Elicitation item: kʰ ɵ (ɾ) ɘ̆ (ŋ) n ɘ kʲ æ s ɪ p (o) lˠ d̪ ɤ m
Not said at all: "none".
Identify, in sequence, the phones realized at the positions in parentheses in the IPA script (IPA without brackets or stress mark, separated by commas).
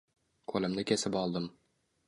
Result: l, m, ɒ